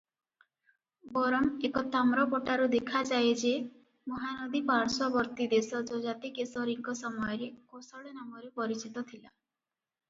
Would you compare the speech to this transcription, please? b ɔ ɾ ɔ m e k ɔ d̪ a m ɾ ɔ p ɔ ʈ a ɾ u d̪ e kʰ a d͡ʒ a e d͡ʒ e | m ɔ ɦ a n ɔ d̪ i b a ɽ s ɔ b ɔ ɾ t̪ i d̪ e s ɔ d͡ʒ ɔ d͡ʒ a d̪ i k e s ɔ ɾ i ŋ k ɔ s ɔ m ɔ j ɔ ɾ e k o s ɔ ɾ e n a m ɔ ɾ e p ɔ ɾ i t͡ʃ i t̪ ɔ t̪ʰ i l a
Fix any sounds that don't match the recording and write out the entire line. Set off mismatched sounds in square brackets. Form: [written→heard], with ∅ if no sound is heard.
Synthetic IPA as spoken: b ɔ ɾ ɔ m e k ɔ [d̪→t̪] a m ɾ ɔ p ɔ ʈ a ɾ u d̪ e kʰ a d͡ʒ a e d͡ʒ e | m ɔ ɦ a n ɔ d̪ i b a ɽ s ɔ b ɔ ɾ t̪ i d̪ e s ɔ d͡ʒ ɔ d͡ʒ a [d̪→t̪] i k e s ɔ ɾ i ŋ k ɔ s ɔ m ɔ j ɔ ɾ e k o s ɔ [ɾ→ɭ] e n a m ɔ ɾ e p ɔ ɾ i t͡ʃ i t̪ ɔ t̪ʰ i l a